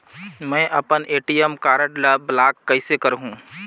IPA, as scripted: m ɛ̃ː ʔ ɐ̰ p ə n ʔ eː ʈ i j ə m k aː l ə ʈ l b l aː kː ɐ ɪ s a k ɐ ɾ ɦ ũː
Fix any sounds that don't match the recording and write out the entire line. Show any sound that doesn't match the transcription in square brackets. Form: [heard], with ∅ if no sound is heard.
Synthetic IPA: m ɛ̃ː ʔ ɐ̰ p ə n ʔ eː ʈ i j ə m k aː [ɾ] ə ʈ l b l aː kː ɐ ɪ s [e] k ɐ ɾ ɦ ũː